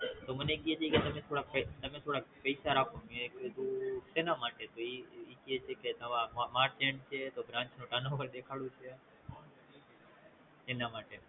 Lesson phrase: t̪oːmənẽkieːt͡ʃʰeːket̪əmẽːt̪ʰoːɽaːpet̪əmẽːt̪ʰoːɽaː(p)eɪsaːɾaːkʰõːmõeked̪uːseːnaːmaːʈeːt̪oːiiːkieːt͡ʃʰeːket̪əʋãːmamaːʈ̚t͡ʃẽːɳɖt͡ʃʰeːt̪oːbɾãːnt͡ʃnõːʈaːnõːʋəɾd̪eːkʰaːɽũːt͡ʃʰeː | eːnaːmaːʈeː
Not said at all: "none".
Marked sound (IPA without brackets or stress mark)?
p